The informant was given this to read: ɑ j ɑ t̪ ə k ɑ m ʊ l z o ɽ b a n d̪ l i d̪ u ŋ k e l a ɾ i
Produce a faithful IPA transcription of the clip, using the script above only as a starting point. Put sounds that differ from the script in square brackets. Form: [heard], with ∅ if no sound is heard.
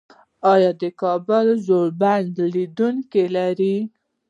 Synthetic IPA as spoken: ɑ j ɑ [d̪] ə k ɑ [b] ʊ l z o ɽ b a n d̪ l i d̪ u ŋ k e l a ɾ i

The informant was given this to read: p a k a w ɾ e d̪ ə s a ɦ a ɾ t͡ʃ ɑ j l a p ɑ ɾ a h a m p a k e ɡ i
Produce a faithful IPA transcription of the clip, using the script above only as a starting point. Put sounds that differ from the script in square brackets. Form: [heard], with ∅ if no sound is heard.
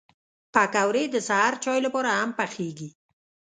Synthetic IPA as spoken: p a k a w ɾ e d̪ ə s a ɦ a ɾ t͡ʃ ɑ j l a p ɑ ɾ a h a m p a [x] e ɡ i

